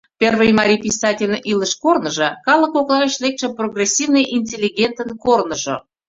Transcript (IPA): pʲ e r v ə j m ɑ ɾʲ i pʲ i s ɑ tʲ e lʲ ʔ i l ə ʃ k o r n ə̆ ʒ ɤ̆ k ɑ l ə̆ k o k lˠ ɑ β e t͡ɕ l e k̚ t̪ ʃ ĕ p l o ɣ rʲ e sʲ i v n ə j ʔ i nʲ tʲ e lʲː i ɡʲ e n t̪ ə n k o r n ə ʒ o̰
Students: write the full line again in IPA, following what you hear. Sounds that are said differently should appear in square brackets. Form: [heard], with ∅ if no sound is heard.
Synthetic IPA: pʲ e r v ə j m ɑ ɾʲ i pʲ i s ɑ tʲ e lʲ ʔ i l ə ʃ k o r n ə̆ ʒ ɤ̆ k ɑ l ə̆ k o k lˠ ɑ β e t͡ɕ l e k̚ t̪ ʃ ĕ p [r] o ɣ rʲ e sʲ i v n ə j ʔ i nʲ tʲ e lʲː i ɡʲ e n t̪ ə n k o r n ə ʒ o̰